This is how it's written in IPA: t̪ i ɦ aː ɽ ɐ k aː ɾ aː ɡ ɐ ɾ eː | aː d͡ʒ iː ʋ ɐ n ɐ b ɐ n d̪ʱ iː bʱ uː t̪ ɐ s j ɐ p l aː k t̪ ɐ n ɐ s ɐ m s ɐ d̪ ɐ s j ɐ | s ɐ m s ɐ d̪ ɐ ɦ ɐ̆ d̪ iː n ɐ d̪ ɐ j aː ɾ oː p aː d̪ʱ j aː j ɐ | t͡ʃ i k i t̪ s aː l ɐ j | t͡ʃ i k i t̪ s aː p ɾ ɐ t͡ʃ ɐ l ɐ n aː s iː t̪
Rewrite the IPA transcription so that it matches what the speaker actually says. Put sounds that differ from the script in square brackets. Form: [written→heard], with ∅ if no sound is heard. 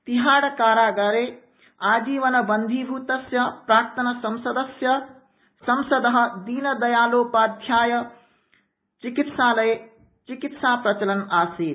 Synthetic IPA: t̪ i ɦ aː ɽ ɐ k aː ɾ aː ɡ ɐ ɾ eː | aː d͡ʒ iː ʋ ɐ n ɐ b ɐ n d̪ʱ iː bʱ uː t̪ ɐ s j ɐ p [l→ɾ] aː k t̪ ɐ n ɐ s ɐ m s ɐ d̪ ɐ s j ɐ | s ɐ m s ɐ d̪ ɐ ɦ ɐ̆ d̪ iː n ɐ d̪ ɐ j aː [ɾ→l] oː p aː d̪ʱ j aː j ɐ | t͡ʃ i k i t̪ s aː l ɐ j | t͡ʃ i k i t̪ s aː p ɾ ɐ t͡ʃ ɐ l ɐ n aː s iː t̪